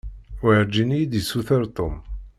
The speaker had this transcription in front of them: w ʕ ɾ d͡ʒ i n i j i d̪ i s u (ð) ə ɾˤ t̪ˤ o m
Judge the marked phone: incorrect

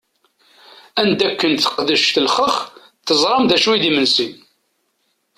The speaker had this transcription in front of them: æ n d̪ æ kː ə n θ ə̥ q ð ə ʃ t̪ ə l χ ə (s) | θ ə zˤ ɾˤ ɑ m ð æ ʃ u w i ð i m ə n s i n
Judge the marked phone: incorrect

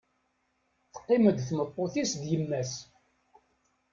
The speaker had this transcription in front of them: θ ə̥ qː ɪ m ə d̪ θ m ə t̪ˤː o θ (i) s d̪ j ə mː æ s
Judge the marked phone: correct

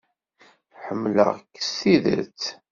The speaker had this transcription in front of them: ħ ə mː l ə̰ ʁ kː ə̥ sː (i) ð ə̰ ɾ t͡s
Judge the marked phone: correct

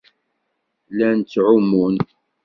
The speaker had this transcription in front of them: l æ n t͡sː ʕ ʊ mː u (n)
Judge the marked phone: correct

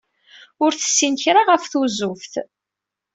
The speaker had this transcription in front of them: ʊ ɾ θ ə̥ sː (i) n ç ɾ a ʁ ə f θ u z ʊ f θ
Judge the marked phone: correct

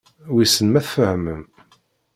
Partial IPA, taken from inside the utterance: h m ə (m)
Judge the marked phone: correct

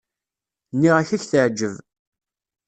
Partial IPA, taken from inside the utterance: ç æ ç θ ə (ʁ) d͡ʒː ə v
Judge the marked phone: incorrect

